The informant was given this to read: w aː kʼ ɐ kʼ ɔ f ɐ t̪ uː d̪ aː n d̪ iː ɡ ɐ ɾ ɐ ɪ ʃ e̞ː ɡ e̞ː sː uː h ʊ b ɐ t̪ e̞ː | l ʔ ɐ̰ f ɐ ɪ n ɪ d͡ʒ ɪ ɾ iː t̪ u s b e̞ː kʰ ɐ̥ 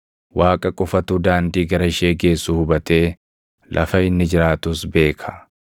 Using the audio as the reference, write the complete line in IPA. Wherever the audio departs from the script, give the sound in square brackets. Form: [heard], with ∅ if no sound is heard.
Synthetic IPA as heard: w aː kʼ ɐ kʼ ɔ f ɐ t̪ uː d̪ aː n d̪ iː ɡ ɐ ɾ ɐ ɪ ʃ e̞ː ɡ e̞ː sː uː h ʊ b ɐ t̪ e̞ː | l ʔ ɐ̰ f ɐ ɪ [nː] ɪ d͡ʒ ɪ ɾ [aː] t̪ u s b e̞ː kʰ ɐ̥